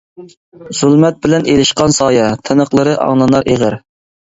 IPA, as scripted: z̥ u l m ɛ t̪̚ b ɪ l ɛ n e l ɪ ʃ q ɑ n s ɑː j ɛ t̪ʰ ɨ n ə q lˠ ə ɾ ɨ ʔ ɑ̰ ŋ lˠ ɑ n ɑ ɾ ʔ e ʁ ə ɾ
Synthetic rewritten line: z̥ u l m ɛ t̪̚ b ɪ l ɛ n e l ɪ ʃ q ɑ n s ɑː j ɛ t̪ʰ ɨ n ə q lˠ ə ɾ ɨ ʔ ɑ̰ ŋ lˠ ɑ n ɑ ɾ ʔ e ʁ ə ɾ